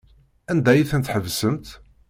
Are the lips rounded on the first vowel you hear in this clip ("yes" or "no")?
no